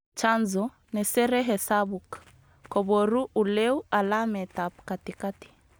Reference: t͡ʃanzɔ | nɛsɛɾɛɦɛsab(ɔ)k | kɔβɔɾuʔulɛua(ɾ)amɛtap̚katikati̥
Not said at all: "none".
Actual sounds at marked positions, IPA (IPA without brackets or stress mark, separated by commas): u, l